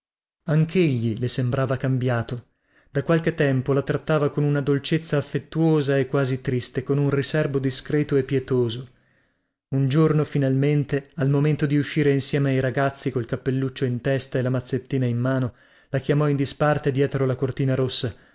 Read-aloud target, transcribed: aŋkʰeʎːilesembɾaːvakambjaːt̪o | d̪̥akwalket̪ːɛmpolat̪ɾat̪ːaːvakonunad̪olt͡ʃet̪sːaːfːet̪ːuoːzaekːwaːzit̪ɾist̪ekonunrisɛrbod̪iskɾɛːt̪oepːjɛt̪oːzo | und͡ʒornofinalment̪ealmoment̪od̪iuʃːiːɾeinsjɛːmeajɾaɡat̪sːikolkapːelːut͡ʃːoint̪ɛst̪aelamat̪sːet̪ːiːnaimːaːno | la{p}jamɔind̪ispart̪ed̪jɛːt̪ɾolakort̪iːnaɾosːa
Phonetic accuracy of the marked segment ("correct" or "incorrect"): incorrect